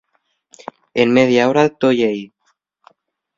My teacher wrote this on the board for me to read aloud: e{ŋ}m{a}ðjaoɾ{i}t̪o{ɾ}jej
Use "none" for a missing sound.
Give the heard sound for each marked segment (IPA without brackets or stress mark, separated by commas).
n, e, a, none